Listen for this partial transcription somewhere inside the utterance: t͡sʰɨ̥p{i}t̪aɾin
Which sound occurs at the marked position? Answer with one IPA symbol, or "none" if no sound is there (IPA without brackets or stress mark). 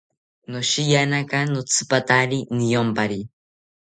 a